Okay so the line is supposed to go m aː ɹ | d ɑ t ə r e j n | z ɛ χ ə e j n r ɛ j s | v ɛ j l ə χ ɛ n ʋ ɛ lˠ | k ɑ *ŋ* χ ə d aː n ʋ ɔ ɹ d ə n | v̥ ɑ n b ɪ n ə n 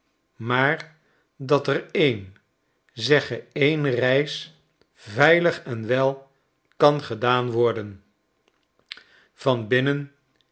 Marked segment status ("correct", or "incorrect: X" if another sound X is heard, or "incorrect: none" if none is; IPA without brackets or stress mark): incorrect: n